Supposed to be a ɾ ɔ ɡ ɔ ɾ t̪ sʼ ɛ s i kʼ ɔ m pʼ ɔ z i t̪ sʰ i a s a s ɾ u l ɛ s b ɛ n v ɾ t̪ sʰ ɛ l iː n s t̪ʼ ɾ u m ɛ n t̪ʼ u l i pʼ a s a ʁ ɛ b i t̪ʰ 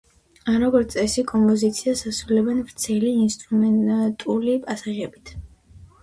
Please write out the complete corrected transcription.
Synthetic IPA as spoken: a ɾ ɔ ɡ ɔ ɾ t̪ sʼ ɛ s i kʼ ɔ m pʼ ɔ z i t̪ sʰ i a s a s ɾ u l ɛ b ɛ n v ɾ t̪ sʰ ɛ l iː n s t̪ʼ ɾ u m ɛ n t̪ʼ u l i pʼ a s a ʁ ɛ b i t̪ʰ

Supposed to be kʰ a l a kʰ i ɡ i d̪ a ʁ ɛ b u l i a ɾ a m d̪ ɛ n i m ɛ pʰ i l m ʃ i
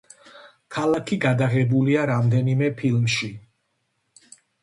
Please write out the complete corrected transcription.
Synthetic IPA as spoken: kʰ a l a kʰ i ɡ a d̪ a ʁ ɛ b u l i a ɾ a m d̪ ɛ n i m ɛ pʰ i l m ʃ i

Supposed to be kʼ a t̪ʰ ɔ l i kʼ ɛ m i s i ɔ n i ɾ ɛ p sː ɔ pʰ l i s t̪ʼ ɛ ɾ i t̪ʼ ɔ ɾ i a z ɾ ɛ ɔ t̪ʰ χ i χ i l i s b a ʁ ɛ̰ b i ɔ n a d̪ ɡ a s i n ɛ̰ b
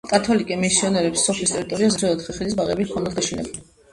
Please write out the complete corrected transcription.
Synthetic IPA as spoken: kʼ a t̪ʰ ɔ l i kʼ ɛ m i s i ɔ n ɛ ɾ ɛ p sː ɔ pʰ l i s t̪ʼ ɛ ɾ i t̪ʼ ɔ ɾ i a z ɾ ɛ ɔ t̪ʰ χ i χ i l i s b a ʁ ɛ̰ b i ɔ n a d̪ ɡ a ʃ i n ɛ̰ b

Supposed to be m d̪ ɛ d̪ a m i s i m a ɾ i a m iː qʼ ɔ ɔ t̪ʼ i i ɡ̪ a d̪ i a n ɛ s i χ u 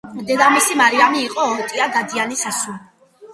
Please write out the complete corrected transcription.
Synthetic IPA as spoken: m d̪ ɛ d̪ a m i s i m a ɾ i a m iː qʼ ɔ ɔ t̪ʼ i a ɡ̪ a d̪ i a n i s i s u

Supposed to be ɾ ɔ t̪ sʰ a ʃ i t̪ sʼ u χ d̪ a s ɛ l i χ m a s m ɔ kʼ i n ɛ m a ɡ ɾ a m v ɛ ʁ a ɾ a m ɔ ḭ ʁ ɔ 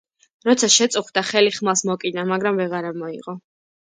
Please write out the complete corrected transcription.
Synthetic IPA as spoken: ɾ ɔ t̪ sʰ a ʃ ɛ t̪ sʼ u χ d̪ a χ ɛ l i χ m a s m ɔ kʼ i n a m a ɡ ɾ a m v ɛ ʁ a ɾ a m ɔ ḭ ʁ ɔ

